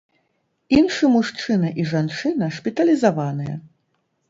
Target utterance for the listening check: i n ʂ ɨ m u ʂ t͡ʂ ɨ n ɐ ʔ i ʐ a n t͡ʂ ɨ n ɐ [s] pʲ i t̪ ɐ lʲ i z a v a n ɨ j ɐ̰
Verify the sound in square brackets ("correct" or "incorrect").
incorrect